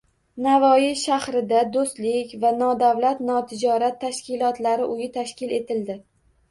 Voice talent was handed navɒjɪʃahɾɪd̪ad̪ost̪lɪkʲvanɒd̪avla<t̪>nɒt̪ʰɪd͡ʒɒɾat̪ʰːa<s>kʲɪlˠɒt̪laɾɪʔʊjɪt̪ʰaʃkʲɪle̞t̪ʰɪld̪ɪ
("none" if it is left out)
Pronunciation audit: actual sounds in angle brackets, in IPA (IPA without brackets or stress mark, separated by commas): t̪, ʃ